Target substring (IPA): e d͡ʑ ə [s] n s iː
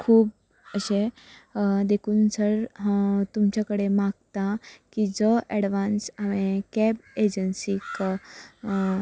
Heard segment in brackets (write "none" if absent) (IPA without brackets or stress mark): none